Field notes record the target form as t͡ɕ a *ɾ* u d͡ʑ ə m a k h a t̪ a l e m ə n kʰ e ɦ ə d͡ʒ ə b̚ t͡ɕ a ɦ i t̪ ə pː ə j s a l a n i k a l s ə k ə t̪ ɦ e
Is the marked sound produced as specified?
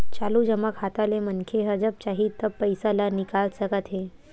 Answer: no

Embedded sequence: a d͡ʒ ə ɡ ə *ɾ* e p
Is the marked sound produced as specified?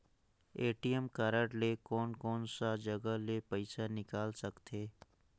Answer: no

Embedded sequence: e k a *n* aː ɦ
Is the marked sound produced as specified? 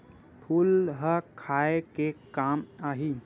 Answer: no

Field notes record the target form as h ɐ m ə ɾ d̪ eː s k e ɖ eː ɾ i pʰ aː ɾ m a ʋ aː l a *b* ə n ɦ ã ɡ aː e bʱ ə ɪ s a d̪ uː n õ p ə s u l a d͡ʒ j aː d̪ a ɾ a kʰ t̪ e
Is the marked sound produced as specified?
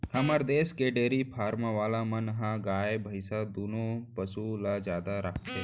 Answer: no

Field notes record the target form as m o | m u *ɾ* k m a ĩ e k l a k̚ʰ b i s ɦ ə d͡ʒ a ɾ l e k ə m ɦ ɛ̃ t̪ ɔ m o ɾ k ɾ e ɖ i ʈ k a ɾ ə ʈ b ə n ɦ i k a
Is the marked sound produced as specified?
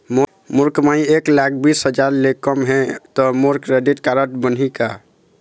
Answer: yes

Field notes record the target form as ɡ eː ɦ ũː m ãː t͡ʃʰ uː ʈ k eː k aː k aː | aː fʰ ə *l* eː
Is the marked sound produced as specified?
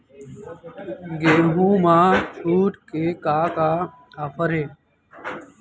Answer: no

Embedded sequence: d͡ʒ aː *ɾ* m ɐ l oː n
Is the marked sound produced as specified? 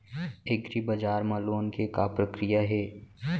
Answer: yes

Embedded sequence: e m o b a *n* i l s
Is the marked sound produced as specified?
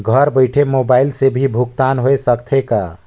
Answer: no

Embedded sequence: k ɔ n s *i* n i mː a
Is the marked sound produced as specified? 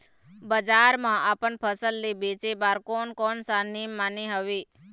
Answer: no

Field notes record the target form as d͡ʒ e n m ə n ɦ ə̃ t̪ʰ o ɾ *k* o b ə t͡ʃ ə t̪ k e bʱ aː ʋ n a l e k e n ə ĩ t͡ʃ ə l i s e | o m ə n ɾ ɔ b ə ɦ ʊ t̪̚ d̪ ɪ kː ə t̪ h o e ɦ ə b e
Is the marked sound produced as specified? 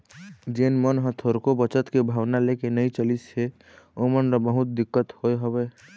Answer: yes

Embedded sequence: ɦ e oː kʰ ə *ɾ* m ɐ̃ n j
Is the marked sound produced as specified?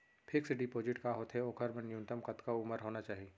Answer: yes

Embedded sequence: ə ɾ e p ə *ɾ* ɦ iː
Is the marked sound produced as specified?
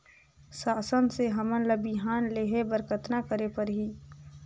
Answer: yes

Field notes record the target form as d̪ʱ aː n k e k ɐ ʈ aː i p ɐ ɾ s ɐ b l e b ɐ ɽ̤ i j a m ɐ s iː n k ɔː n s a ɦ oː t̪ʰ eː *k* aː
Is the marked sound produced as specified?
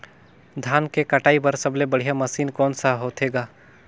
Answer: no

